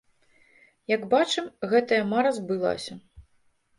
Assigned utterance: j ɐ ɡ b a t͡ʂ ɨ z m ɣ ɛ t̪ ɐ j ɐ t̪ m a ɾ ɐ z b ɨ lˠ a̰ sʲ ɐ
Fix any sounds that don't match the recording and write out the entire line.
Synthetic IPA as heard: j ɐ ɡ b a t͡ʂ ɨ m ɣ ɛ t̪ ɐ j ɐ m a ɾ ɐ z b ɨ lˠ a̰ sʲ ɐ